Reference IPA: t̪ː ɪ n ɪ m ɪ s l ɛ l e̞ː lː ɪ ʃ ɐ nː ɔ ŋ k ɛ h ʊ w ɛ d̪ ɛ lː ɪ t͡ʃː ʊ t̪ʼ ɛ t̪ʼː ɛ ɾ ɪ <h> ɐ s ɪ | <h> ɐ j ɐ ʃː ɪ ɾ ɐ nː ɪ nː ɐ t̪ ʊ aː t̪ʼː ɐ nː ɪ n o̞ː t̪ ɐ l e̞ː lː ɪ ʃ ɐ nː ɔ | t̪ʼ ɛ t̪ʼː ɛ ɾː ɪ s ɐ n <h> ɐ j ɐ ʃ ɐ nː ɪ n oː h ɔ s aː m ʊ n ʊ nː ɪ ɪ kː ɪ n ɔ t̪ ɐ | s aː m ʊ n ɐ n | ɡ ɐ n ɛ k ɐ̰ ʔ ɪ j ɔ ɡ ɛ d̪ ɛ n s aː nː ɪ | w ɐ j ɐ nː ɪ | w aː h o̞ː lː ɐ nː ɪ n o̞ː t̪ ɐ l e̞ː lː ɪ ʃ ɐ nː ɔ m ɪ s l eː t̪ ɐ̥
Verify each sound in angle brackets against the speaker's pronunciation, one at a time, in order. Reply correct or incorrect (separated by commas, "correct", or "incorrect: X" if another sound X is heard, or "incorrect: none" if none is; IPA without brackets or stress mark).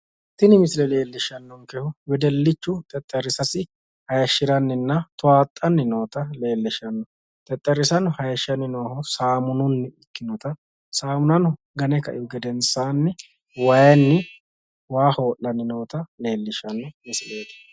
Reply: incorrect: s, correct, correct